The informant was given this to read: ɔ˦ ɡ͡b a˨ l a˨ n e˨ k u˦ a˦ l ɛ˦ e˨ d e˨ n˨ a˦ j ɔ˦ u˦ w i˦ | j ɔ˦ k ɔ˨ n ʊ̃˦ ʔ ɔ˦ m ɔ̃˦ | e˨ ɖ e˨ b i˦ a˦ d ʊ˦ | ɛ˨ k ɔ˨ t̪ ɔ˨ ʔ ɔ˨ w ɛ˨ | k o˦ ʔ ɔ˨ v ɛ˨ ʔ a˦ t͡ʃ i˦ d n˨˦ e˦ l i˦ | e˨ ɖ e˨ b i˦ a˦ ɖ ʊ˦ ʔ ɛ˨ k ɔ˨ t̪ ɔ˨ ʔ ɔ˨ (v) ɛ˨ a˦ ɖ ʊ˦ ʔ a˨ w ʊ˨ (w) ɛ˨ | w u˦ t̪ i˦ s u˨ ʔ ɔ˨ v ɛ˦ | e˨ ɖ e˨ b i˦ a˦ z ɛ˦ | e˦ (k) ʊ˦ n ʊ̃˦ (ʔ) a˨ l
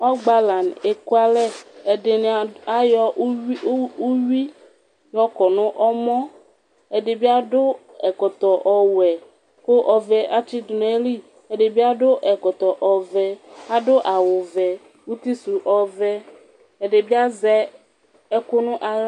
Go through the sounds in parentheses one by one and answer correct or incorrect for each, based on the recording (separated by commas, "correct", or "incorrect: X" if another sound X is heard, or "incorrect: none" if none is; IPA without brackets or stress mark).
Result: correct, incorrect: v, correct, correct